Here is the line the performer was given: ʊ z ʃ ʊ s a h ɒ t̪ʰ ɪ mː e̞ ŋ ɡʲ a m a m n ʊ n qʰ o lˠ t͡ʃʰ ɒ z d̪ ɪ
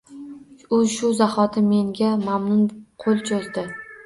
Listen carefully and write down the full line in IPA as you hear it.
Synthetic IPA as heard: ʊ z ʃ ʊ z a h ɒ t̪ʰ ɪ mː e̞ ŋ ɡʲ a m a m n ʊ n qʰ o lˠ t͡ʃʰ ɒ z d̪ ɪ